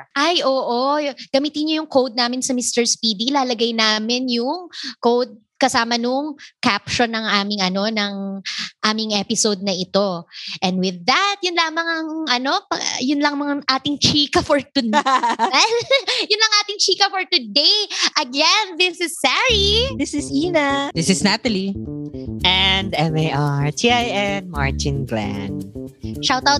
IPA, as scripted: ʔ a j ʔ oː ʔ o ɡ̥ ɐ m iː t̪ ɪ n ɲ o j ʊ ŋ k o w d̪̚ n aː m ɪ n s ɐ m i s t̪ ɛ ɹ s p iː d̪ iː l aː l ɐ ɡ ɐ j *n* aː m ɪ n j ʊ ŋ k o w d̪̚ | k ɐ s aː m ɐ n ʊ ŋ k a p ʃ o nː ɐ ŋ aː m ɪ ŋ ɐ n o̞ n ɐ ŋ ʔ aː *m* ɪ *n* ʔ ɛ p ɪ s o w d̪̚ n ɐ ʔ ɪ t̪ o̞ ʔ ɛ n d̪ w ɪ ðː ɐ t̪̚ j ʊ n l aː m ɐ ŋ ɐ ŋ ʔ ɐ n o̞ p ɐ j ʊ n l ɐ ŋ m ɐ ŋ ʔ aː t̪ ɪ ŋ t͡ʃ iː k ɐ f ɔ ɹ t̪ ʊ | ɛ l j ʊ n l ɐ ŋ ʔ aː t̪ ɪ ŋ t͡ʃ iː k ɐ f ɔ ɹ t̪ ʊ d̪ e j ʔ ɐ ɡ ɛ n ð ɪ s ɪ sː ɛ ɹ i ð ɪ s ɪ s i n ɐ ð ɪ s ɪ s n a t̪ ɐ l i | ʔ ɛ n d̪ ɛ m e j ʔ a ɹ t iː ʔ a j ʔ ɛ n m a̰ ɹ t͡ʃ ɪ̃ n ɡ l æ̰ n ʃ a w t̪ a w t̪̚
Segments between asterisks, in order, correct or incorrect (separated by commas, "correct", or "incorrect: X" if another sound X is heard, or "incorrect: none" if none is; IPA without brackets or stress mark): correct, correct, incorrect: ŋ